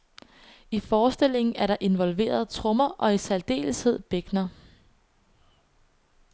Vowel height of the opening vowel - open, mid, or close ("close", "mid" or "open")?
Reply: close